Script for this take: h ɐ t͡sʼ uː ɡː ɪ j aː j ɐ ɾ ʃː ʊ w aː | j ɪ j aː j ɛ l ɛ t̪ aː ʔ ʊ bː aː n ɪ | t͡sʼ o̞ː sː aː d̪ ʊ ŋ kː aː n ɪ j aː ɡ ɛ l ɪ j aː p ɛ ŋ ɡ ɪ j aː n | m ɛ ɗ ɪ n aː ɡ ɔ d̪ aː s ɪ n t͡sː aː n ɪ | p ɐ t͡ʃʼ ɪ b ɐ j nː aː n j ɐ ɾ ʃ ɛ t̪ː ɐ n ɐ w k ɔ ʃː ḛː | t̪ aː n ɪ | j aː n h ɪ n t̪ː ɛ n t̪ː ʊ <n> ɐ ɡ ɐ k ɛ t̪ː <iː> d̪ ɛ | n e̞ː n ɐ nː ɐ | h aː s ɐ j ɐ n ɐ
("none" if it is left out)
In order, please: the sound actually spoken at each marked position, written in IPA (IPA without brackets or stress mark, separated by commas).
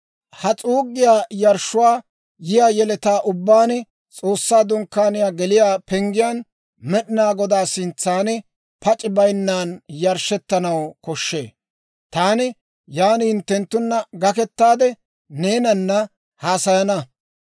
nː, aː